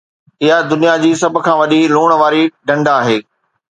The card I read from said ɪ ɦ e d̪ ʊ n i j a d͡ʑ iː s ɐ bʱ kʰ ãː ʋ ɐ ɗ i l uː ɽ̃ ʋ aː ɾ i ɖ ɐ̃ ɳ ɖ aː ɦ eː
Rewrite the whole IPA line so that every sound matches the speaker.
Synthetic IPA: ɪ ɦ a d̪ ʊ n i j a d͡ʑ iː s ɐ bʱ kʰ ãː ʋ ɐ ɗ i l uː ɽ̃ ʋ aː ɾ i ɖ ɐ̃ ɳ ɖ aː ɦ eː